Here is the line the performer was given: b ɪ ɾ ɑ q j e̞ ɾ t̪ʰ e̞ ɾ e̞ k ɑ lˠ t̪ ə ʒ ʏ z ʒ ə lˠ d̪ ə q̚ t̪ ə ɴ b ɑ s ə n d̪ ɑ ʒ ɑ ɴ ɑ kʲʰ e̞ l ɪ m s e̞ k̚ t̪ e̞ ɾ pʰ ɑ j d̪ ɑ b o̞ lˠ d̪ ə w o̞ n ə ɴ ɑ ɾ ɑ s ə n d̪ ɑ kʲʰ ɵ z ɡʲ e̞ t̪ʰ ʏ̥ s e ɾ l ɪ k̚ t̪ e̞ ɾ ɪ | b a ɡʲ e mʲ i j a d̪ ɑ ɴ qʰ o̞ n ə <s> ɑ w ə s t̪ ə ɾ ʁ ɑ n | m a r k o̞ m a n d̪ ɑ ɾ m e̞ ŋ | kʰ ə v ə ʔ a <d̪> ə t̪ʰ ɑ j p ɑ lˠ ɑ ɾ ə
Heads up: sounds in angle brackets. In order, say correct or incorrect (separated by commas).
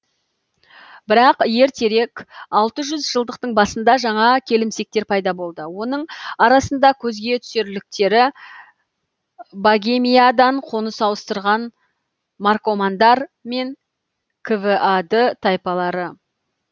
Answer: correct, correct